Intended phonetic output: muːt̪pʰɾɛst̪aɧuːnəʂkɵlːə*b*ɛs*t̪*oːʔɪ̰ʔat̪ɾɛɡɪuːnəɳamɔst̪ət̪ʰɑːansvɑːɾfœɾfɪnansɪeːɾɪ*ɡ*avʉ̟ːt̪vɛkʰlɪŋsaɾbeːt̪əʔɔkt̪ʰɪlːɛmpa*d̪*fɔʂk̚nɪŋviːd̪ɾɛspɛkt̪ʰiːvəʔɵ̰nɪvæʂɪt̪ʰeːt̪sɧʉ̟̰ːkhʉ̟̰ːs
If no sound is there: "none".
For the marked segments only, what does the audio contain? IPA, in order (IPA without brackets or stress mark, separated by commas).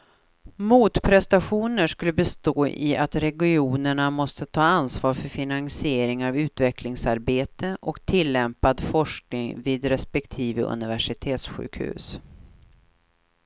b, t̪, ŋ, d̪